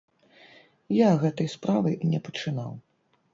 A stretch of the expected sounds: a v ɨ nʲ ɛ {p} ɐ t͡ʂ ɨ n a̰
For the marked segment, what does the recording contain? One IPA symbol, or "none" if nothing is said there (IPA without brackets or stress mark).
p